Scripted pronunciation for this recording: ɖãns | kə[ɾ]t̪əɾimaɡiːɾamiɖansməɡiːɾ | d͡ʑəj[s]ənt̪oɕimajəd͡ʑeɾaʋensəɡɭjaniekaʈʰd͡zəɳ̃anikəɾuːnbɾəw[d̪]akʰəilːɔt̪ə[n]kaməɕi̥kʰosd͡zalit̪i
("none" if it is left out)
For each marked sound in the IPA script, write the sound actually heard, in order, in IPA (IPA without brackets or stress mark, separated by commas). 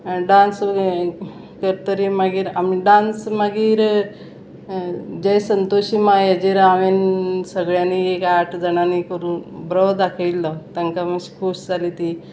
ɾ, s, d̪, ŋ